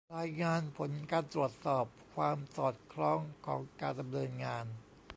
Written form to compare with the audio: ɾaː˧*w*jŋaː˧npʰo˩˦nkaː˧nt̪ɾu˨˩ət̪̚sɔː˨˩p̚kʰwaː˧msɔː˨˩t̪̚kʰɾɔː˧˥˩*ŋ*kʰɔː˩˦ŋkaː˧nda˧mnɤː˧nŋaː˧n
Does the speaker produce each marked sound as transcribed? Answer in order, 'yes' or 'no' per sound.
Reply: no, yes

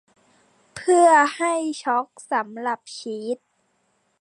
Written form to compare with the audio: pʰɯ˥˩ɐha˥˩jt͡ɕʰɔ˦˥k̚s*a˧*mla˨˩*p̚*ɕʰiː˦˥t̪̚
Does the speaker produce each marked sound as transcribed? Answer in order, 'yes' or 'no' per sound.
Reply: no, yes

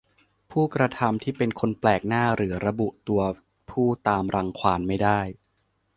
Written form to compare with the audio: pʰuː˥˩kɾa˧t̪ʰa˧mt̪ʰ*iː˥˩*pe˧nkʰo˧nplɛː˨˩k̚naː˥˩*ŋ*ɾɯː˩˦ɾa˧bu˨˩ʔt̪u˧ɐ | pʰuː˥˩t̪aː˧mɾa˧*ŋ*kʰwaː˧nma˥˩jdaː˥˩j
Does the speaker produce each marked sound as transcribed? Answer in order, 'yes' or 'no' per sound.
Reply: yes, no, yes

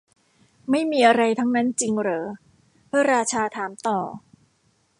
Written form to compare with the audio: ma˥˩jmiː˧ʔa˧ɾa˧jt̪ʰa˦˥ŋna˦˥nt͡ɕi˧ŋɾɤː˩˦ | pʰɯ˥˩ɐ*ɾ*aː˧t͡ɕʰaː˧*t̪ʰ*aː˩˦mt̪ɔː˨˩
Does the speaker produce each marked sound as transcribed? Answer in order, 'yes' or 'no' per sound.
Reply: yes, yes

